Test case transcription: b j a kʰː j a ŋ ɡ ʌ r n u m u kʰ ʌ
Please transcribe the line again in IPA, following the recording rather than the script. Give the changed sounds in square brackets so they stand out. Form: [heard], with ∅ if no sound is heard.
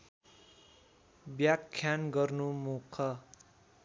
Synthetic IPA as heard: b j a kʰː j a [n] ɡ ʌ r n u m u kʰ ʌ